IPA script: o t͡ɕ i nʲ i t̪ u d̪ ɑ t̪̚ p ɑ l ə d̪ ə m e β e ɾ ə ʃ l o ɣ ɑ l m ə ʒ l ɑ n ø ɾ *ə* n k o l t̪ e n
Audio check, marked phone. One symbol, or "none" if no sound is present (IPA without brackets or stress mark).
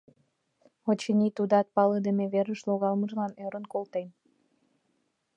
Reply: ə